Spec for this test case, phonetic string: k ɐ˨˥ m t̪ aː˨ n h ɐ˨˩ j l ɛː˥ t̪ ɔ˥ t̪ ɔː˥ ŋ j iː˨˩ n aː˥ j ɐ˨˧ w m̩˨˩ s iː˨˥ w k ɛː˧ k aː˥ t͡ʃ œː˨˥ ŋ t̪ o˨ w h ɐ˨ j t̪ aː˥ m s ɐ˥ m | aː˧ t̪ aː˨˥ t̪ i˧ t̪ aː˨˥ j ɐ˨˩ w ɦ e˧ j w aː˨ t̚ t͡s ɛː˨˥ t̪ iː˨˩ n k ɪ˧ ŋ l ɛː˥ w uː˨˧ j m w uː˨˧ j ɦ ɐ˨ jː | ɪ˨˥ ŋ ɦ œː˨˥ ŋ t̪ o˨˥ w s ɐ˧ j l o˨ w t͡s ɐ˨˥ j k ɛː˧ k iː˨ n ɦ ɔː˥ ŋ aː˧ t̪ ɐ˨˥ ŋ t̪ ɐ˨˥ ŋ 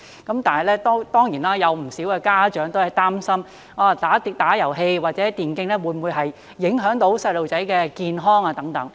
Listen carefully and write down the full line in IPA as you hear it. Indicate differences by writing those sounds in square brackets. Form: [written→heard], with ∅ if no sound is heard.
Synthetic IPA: k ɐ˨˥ m t̪ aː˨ n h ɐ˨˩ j l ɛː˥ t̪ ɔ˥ t̪ ɔː˥ ŋ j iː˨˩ n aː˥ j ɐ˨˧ w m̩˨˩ s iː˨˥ w k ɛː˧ k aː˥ t͡ʃ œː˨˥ ŋ t̪ [o˨→o˥] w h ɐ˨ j t̪ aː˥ m s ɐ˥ m | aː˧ t̪ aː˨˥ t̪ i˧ t̪ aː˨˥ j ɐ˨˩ w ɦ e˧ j w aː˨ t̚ t͡s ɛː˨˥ t̪ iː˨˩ n k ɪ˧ ŋ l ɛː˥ w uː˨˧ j m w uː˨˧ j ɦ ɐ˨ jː | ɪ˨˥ ŋ ɦ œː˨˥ ŋ t̪ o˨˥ w s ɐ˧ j l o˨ w t͡s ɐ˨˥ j k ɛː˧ k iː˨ n ɦ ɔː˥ ŋ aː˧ t̪ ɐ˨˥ ŋ t̪ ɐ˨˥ ŋ